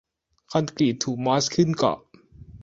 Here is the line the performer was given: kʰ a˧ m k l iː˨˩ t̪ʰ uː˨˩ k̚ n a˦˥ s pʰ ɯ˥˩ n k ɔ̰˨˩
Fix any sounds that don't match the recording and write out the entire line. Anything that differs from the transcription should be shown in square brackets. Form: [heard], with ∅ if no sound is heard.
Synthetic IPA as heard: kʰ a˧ [n] k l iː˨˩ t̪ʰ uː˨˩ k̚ [m] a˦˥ s [kʰ] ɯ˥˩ n k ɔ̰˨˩